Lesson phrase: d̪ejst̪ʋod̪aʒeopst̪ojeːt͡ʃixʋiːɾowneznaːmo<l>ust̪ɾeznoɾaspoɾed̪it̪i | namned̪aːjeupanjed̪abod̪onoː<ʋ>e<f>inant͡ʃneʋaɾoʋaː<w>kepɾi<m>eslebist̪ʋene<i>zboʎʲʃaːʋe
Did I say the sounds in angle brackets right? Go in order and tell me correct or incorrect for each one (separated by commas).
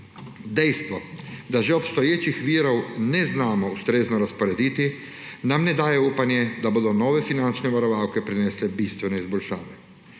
incorrect, correct, correct, correct, incorrect, correct